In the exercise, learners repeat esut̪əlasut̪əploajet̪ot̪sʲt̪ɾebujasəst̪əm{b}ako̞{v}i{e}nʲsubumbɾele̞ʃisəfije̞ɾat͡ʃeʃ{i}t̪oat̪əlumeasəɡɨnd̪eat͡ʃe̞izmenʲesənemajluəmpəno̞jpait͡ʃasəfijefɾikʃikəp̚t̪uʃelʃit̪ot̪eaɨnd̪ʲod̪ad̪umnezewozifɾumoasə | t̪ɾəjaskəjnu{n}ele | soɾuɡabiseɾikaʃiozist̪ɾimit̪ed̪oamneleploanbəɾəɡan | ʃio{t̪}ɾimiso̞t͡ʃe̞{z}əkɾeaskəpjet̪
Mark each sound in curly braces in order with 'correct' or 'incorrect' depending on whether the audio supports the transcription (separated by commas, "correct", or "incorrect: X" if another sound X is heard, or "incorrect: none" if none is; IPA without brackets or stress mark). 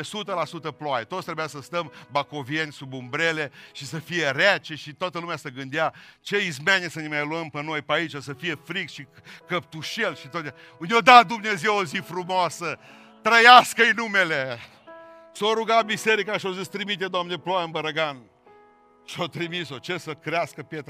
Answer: correct, correct, correct, correct, incorrect: m, correct, incorrect: s